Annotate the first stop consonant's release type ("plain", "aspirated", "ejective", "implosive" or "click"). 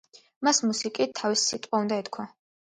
ejective